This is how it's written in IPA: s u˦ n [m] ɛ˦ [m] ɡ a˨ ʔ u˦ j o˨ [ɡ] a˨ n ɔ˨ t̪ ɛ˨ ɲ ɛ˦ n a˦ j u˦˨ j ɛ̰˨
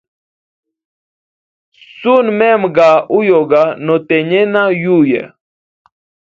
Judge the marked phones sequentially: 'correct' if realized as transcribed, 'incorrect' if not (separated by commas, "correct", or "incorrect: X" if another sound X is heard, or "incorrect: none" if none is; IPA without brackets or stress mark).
correct, correct, correct